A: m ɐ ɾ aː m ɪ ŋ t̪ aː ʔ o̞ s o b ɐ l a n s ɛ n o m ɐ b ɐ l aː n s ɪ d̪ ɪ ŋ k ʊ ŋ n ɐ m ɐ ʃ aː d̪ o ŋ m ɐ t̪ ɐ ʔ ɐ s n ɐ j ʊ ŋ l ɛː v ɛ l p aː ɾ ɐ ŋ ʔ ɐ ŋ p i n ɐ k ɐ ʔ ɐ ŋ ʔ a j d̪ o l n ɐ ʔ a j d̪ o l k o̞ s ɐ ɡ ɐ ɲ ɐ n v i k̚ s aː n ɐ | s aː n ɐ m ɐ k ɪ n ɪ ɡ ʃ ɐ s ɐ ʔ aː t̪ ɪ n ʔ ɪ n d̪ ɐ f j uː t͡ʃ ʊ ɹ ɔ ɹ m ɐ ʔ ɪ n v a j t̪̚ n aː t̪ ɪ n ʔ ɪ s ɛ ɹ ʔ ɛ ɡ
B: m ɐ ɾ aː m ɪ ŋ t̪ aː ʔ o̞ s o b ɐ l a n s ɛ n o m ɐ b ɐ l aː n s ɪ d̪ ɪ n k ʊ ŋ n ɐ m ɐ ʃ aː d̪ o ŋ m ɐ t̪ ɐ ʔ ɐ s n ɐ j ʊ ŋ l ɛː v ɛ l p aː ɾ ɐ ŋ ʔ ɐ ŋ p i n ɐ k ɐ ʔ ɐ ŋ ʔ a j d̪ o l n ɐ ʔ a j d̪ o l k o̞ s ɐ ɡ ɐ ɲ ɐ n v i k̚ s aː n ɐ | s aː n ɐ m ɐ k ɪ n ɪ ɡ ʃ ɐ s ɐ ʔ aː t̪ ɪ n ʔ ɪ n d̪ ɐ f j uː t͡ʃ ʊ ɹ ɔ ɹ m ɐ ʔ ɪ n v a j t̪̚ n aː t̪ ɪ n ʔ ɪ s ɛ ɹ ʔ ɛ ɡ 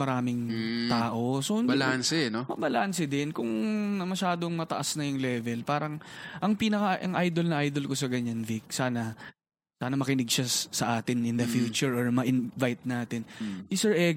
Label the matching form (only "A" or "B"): B